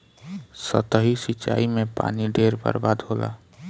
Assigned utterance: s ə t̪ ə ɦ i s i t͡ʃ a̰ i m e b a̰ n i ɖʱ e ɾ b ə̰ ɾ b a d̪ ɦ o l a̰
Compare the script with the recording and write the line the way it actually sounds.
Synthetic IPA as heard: s ə t̪ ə ɦ i s i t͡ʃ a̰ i m e p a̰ n i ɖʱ e ɾ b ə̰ ɾ b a d̪ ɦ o l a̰